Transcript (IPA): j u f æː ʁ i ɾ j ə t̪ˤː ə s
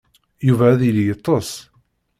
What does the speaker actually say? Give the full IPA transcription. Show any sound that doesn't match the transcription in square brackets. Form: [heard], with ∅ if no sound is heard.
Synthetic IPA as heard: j u [v] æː [ð] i [l] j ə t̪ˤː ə s